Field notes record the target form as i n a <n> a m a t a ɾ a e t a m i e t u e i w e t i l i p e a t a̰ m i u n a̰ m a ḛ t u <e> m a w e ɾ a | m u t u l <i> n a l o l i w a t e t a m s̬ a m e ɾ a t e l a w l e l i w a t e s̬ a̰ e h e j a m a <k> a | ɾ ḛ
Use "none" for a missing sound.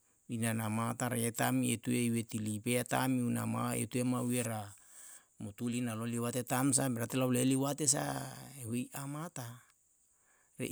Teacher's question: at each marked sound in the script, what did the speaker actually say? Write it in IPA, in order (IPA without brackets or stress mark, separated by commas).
n, e, i, t